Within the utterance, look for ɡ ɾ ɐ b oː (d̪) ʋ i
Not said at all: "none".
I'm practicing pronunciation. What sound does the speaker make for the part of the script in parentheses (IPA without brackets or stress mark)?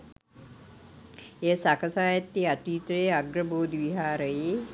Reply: d̪